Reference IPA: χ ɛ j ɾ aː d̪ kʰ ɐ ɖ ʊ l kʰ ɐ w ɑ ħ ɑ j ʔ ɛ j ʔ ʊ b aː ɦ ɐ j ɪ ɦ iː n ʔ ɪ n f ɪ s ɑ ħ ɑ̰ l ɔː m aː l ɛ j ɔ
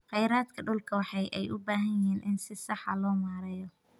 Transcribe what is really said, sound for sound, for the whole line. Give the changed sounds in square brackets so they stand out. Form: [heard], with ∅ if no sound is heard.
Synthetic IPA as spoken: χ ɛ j ɾ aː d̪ kʰ ɐ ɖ ʊ l kʰ ɐ w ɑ ħ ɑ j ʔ ɛ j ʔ ʊ b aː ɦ ɐ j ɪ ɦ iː n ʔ ɪ n [s] ɪ s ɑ ħ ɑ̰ l ɔː m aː [ɾ] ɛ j ɔ